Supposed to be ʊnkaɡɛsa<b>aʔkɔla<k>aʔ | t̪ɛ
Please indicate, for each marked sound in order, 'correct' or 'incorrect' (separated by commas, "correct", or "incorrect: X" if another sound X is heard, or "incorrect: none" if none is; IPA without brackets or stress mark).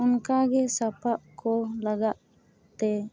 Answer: incorrect: p, incorrect: ɡ